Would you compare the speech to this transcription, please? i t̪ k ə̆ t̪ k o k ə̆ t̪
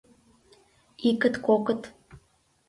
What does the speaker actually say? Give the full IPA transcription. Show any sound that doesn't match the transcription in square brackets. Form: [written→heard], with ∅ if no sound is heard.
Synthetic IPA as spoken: i [t̪→∅] k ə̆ t̪ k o k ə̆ t̪